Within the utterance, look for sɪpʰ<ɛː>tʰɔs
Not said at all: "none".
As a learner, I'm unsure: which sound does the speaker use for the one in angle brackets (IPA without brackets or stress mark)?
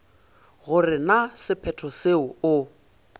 ɛ